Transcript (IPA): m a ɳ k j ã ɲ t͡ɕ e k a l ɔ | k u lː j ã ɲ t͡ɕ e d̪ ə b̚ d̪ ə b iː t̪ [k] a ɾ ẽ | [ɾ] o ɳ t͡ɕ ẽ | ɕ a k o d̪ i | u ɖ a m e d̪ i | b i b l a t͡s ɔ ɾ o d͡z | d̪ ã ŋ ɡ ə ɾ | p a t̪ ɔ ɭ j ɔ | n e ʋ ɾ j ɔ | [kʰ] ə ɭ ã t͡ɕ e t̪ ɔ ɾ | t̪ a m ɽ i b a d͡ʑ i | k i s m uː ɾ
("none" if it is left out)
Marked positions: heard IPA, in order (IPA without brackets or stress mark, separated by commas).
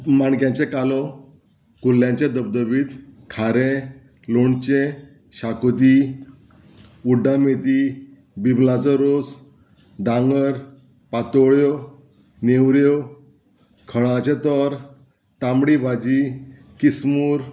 kʰ, l, kʰ